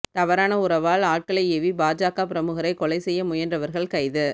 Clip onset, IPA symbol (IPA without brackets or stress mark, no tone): t̪